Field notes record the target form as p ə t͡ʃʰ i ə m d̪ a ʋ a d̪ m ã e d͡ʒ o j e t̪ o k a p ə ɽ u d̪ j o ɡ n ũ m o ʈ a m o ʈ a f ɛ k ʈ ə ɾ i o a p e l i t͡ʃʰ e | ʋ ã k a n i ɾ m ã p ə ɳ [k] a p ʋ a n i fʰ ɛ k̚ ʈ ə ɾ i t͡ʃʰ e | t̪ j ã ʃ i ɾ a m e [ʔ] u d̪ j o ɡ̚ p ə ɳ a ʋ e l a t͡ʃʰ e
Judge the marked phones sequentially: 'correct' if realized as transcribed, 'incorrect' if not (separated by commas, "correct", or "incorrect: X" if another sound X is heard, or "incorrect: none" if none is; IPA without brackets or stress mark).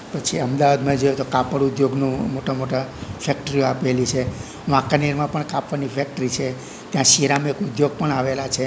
correct, incorrect: k